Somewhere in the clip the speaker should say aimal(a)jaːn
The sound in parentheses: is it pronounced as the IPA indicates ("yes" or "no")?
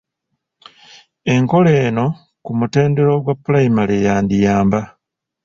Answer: no